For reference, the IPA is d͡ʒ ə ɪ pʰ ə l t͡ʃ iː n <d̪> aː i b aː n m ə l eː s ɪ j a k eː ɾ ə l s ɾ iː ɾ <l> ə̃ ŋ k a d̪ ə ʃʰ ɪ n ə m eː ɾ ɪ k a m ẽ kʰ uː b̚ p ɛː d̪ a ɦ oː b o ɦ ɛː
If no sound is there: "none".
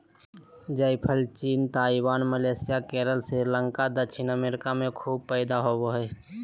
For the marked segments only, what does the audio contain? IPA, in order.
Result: t̪, l

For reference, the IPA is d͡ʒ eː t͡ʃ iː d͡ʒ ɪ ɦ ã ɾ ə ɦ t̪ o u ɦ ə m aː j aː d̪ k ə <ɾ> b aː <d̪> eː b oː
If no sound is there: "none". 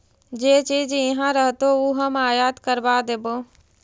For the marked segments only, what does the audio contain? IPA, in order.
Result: ɾ, d̪

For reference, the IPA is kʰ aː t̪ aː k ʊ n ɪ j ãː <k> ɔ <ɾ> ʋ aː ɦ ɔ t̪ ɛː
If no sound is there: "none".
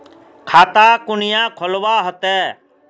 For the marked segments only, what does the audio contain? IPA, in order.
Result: kʰ, l

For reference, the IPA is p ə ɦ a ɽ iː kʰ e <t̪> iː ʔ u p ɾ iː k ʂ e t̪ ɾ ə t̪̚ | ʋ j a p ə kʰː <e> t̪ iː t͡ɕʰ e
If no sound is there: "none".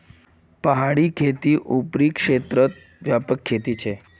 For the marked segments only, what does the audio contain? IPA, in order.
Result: t̪, e

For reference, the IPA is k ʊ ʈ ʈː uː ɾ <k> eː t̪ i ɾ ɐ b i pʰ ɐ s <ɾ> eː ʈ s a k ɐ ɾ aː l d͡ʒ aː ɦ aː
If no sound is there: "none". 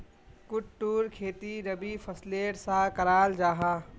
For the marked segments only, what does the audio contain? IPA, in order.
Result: kʰ, l

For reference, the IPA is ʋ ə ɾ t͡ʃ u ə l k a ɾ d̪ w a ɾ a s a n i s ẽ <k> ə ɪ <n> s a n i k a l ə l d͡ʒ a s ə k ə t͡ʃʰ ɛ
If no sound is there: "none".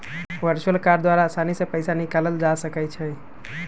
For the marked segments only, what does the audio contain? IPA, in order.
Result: p, none

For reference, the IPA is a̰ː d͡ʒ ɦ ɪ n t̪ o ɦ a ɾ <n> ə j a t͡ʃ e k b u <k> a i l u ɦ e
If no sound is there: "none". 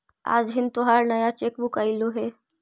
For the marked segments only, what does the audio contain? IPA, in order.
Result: n, k

